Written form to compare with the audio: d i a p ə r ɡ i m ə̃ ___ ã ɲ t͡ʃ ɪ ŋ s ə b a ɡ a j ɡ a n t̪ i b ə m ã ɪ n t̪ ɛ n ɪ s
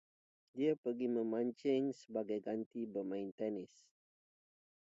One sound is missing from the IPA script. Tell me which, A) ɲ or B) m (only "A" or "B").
B